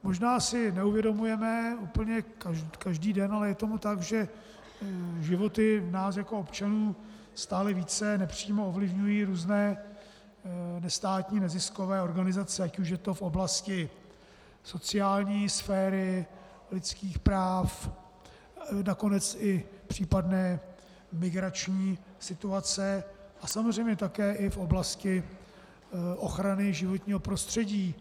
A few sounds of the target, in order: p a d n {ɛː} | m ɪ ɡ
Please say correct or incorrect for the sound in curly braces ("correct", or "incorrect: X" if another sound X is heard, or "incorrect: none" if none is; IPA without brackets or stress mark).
correct